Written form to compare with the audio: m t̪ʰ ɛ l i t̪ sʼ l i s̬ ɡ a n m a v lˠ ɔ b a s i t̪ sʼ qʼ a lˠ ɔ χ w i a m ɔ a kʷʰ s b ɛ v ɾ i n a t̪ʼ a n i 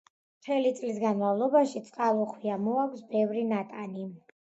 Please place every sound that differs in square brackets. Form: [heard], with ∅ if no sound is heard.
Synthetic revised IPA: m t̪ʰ ɛ l i t̪ sʼ l i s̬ ɡ a n m a v lˠ ɔ b a [ʃ] i t̪ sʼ qʼ a lˠ ɔ χ w i a m ɔ a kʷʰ s b ɛ v ɾ i n a t̪ʼ a n i